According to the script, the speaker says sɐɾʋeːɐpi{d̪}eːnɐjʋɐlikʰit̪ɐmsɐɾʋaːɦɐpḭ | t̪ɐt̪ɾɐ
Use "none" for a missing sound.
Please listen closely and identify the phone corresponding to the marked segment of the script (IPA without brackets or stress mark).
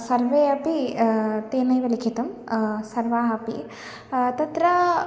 t̪